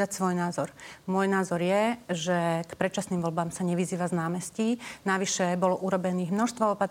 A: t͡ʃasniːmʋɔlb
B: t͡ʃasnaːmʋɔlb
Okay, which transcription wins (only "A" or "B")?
A